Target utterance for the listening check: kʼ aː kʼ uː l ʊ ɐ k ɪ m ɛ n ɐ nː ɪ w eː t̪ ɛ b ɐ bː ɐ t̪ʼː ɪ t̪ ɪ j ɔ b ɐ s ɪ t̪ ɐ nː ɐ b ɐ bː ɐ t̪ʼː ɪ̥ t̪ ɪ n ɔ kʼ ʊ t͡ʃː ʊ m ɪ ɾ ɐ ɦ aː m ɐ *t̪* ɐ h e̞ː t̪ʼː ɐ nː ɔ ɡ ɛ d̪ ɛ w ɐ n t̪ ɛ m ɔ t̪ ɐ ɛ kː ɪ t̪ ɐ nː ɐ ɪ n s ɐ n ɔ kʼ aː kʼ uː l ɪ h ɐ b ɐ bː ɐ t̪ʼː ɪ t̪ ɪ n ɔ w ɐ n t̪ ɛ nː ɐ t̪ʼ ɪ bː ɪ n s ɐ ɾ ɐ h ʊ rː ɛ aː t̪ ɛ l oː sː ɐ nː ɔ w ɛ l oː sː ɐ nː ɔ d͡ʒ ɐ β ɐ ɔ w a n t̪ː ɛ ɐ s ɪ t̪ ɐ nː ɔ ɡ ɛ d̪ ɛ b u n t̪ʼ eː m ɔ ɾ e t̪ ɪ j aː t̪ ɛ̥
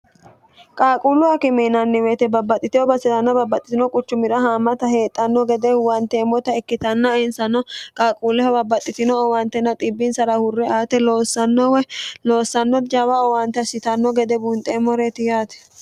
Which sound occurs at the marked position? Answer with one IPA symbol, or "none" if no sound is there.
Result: t̪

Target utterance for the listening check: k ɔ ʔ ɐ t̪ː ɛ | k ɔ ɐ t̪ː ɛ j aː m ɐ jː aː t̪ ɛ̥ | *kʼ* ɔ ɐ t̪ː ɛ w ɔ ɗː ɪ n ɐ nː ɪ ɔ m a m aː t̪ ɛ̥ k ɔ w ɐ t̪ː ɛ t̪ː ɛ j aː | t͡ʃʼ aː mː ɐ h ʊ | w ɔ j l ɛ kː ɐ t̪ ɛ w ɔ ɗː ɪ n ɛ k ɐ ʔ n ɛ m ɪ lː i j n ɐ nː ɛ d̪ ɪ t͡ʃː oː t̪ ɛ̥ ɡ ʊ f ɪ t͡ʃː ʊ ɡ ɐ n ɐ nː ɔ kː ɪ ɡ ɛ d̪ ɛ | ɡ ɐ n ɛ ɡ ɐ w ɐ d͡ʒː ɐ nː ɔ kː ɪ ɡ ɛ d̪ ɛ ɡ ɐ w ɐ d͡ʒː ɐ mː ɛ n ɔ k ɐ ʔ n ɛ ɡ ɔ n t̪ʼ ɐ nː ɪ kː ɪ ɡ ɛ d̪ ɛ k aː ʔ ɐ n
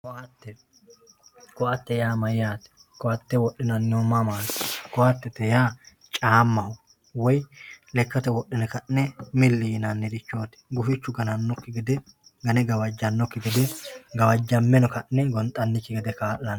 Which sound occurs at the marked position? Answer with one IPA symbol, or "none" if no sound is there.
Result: k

